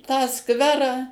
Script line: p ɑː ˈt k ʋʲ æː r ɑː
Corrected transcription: t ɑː ˈs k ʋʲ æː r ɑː